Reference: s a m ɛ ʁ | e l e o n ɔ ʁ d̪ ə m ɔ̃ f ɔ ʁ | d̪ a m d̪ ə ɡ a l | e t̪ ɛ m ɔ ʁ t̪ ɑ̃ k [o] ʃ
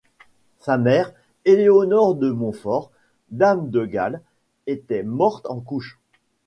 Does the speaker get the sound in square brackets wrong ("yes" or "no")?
yes